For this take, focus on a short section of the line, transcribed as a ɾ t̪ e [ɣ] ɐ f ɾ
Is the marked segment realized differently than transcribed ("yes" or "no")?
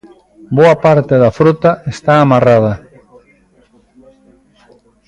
yes